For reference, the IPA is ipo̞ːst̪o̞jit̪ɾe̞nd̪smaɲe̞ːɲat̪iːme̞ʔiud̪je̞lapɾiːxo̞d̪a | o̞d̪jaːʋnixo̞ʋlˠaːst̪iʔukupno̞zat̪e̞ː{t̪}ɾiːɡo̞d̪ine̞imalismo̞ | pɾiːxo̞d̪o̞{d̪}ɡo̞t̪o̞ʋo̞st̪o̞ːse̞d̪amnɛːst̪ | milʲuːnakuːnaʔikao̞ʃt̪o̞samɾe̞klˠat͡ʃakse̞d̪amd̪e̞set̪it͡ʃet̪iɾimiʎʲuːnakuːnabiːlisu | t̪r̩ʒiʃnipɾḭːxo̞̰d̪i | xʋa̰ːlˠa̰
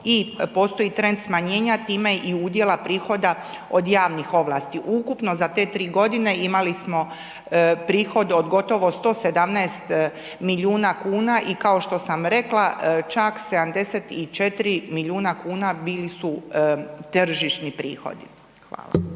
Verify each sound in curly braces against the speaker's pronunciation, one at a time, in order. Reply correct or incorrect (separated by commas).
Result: correct, correct